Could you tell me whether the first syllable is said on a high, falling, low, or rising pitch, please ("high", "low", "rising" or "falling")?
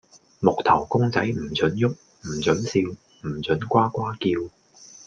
low